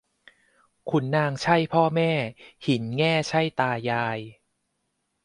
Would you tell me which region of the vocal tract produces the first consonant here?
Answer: velum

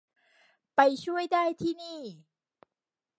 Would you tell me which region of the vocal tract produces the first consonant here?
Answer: lips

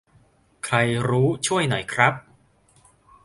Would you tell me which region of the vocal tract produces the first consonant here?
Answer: velum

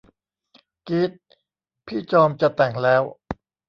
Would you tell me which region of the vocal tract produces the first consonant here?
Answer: velum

